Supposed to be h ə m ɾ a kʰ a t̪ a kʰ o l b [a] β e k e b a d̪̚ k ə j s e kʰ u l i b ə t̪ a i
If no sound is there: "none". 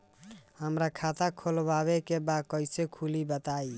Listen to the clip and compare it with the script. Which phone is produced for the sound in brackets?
a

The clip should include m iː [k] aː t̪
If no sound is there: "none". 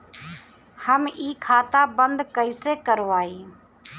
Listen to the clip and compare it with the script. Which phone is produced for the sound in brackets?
kʰ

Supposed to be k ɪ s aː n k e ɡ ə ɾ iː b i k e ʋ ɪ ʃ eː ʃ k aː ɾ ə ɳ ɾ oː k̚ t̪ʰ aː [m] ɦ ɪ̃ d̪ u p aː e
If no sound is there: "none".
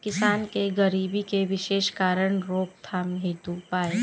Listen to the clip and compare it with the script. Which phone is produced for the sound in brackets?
m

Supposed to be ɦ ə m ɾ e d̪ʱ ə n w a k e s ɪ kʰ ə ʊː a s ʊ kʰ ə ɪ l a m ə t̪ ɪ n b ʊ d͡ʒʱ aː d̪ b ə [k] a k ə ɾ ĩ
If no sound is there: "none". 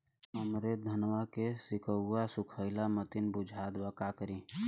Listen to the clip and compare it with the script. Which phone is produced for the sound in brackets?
k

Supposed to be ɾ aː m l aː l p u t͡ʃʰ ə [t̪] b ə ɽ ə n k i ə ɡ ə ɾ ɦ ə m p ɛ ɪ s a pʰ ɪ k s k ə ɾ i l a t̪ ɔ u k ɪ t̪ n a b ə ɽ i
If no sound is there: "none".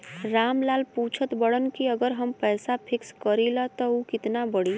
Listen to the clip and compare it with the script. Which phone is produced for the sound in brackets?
t̪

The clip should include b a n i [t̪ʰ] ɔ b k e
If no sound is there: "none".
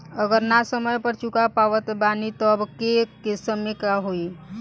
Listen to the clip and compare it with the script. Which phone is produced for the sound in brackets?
t̪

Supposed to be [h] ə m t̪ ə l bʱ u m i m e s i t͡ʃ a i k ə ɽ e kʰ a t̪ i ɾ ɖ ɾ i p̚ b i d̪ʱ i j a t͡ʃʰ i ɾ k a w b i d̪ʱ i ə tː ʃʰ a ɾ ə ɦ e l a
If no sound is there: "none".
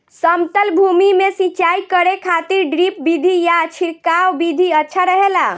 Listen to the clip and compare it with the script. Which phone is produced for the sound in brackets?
s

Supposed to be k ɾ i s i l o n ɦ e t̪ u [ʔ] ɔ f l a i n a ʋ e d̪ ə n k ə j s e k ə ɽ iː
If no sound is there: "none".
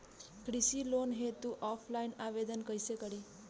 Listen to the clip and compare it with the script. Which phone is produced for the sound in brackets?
ʔ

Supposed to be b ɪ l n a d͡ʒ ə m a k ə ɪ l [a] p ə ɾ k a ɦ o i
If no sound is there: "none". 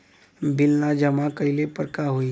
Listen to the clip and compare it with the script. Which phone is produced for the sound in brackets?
e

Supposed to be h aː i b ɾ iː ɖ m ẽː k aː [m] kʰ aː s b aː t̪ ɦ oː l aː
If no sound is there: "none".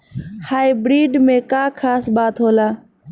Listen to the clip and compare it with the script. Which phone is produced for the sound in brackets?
none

